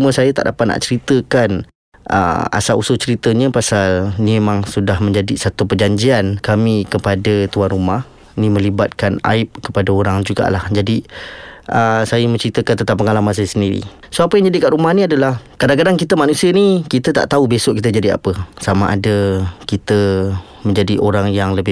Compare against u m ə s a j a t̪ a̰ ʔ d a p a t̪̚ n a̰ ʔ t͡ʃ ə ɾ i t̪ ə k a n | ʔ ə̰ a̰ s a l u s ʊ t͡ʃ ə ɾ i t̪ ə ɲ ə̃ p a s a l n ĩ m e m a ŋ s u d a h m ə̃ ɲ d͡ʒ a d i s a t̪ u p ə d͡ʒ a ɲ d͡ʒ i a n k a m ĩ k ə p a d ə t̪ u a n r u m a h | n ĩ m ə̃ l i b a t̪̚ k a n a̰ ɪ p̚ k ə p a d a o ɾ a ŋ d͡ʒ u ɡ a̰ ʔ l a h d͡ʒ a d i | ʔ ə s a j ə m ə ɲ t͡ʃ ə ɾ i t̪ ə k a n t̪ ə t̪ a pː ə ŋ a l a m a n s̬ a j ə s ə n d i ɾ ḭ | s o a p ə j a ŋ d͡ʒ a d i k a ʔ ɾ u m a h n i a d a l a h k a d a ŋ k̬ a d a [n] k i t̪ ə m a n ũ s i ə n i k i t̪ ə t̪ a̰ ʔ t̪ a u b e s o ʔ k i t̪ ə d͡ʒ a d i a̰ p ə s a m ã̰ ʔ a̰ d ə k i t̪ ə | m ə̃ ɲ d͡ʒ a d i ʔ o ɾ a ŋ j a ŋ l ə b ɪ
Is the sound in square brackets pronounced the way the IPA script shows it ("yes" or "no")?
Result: no